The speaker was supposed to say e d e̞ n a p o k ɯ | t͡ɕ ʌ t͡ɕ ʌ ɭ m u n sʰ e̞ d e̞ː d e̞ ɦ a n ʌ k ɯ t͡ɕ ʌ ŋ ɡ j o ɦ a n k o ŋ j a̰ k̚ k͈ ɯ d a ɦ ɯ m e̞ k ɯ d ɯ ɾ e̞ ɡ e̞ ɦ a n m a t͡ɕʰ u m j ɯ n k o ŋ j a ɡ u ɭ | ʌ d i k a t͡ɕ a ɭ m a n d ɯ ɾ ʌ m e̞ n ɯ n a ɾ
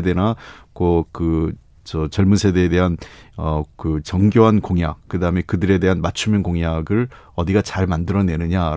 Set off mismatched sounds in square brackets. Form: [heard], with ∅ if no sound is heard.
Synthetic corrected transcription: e d e̞ n a [k] o k ɯ | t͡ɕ ʌ t͡ɕ ʌ ɭ m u n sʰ e̞ d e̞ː d e̞ ɦ a n ʌ k ɯ t͡ɕ ʌ ŋ ɡ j o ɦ a n k o ŋ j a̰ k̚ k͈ ɯ d a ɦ ɯ m e̞ k ɯ d ɯ ɾ e̞ [d] e̞ ɦ a n m a t͡ɕʰ u m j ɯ n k o ŋ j a ɡ [ɯ] ɭ | ʌ d i [ɡ] a t͡ɕ a ɭ m a n d ɯ ɾ ʌ [n] e̞ n ɯ [ɲ] a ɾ